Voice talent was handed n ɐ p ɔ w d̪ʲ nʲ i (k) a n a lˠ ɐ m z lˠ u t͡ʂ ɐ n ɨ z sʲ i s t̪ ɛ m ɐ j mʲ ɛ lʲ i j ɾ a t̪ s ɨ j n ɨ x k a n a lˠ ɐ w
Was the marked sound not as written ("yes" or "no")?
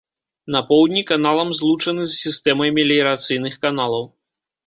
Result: no